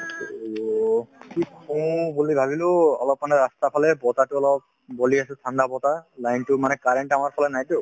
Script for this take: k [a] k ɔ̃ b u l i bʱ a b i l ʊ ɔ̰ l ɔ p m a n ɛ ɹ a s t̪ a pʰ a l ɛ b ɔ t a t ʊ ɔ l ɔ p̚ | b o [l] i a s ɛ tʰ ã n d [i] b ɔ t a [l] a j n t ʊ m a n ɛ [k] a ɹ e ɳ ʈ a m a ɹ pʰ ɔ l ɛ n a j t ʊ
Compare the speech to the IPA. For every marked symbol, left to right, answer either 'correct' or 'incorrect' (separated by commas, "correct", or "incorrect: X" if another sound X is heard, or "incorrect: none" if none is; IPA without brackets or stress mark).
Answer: incorrect: i, correct, incorrect: a, correct, correct